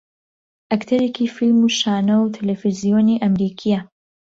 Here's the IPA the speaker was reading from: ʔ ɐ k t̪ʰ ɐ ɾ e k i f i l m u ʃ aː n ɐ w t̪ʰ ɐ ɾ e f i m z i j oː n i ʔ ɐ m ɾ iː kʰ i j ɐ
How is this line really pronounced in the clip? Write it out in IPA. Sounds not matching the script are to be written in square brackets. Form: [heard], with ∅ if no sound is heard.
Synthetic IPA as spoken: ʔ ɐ k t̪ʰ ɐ ɾ e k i f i l m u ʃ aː n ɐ w t̪ʰ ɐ [l] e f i [∅] z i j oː n i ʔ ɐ m ɾ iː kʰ i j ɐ